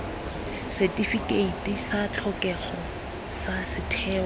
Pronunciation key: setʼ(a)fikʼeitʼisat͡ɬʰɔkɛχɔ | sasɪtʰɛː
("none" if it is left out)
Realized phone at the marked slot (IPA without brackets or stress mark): i